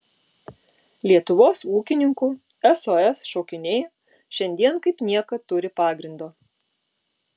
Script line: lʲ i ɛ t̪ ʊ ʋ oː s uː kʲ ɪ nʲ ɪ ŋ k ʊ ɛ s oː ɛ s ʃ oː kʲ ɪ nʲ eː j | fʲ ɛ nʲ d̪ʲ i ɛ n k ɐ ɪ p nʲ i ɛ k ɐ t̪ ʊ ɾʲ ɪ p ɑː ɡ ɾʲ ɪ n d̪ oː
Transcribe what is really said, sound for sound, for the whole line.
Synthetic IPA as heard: lʲ i ɛ t̪ ʊ ʋ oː s uː kʲ ɪ nʲ ɪ ŋ k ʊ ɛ s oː ɛ s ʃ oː kʲ ɪ nʲ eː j | ʃʲ ɛ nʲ d̪ʲ i ɛ n k ɐ ɪ p nʲ i ɛ k ɐ t̪ ʊ ɾʲ ɪ p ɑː ɡ ɾʲ ɪ n d̪ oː